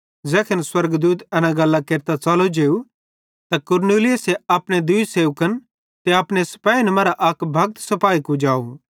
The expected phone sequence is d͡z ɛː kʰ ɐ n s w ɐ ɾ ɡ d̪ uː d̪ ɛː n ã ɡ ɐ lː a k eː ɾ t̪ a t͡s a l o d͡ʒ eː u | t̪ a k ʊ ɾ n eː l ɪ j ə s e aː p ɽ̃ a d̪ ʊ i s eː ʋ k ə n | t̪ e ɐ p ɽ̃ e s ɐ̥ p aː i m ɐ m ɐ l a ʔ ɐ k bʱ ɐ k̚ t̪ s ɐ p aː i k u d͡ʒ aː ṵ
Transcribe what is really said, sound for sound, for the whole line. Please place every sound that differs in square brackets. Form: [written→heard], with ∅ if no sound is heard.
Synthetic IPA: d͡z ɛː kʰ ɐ n s w ɐ ɾ ɡ d̪ uː [d̪→t̪] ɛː n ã ɡ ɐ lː a k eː ɾ t̪ a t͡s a l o d͡ʒ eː u | t̪ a k ʊ ɾ n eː l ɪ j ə s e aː p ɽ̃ [a→e] d̪ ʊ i s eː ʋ k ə n | t̪ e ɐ p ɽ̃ e s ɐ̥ p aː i [m→n] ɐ m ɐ [l→ɾ] a ʔ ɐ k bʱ ɐ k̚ t̪ s ɐ p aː i k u d͡ʒ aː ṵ